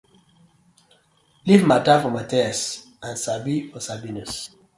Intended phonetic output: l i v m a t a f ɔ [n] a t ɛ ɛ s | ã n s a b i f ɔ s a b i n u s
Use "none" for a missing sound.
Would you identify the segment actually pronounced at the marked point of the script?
m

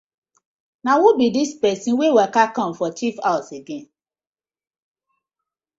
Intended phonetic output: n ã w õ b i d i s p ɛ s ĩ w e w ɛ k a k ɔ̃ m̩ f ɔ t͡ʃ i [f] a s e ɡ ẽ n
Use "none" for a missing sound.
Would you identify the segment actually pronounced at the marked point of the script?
f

